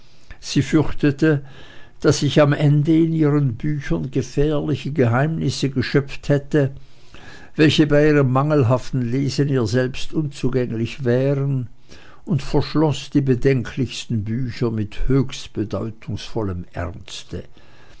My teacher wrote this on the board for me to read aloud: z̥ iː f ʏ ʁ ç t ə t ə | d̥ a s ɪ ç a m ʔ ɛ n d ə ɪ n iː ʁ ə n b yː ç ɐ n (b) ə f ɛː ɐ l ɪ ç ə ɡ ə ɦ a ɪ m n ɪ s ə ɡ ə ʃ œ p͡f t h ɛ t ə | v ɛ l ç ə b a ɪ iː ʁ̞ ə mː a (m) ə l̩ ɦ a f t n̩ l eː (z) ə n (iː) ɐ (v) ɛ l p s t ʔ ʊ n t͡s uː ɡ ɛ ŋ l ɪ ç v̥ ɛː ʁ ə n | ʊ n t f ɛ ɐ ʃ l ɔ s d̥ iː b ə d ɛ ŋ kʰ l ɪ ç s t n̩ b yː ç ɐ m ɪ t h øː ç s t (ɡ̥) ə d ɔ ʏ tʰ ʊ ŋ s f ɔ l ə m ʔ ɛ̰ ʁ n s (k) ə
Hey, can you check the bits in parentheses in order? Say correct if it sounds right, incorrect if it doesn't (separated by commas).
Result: incorrect, incorrect, correct, correct, incorrect, incorrect, incorrect